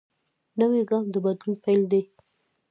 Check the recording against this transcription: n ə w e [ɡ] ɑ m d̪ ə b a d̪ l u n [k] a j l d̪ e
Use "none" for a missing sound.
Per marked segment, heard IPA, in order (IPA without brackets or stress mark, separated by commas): ɡ, p